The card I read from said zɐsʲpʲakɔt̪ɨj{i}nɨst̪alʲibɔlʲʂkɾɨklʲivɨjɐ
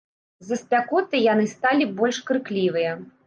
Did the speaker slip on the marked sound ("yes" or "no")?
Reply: yes